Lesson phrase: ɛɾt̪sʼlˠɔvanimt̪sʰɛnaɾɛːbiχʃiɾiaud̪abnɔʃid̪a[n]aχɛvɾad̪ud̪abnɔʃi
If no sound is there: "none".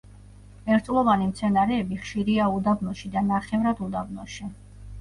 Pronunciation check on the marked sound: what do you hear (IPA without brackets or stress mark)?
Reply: n